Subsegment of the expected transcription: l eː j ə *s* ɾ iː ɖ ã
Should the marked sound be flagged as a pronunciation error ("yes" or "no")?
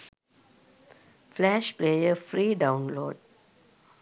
yes